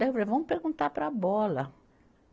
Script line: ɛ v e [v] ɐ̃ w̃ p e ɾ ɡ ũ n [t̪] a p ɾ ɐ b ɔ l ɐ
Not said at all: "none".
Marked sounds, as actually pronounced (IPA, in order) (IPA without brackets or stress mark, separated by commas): v, t̪